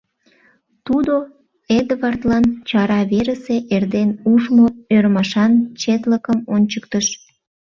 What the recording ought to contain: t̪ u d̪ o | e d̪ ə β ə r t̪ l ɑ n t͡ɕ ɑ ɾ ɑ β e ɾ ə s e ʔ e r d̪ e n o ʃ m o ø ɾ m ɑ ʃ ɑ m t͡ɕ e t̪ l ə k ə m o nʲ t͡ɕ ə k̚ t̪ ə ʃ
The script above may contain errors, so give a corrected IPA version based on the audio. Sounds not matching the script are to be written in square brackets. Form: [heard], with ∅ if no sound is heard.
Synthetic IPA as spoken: t̪ u d̪ o | e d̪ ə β [ɑ] r t̪ l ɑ n t͡ɕ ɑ ɾ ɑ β e ɾ ə s e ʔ e r d̪ e n [u] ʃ m o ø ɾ m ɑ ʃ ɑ [n] t͡ɕ e t̪ l ə k ə m o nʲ t͡ɕ ə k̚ t̪ ə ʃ